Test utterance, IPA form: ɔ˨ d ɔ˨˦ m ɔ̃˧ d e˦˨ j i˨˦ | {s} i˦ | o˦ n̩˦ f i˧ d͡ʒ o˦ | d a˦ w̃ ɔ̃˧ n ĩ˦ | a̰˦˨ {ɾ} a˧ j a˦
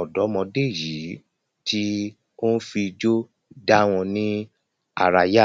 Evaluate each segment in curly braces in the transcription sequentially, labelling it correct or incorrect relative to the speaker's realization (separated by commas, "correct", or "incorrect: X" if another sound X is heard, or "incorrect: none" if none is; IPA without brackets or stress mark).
incorrect: t, correct